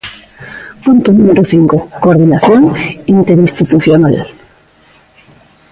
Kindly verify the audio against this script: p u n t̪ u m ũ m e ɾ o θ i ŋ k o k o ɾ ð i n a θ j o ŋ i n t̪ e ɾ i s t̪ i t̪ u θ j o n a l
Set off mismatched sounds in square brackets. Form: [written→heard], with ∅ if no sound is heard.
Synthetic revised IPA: p u n t̪ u [m→n] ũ m e ɾ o θ i ŋ k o k o ɾ ð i n a θ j o ŋ i n t̪ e ɾ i s t̪ i t̪ u θ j o n a l